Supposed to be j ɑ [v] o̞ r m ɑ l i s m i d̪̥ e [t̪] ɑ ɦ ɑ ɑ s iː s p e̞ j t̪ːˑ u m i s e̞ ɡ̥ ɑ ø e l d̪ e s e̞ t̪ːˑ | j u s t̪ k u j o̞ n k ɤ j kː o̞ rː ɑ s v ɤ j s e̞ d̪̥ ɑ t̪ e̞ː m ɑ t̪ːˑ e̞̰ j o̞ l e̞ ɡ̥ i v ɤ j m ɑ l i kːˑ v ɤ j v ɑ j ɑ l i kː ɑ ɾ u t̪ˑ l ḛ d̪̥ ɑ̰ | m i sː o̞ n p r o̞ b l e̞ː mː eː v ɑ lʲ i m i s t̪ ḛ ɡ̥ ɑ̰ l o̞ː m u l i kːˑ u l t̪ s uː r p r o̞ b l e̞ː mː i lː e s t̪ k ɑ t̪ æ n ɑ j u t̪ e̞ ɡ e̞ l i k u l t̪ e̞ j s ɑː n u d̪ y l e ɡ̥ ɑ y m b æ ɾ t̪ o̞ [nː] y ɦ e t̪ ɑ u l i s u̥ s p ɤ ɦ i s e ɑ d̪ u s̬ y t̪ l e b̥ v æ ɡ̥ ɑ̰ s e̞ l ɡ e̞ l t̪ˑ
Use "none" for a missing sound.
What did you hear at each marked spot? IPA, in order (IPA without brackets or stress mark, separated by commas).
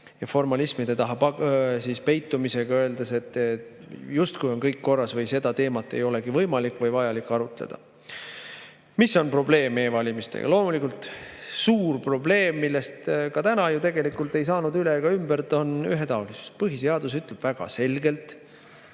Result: f, t̪, n